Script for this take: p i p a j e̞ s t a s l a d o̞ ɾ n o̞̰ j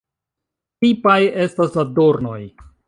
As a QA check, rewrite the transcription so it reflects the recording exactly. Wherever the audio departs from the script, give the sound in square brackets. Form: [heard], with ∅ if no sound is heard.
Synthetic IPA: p i p a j e̞ s t a s l a d o̞ ɾ n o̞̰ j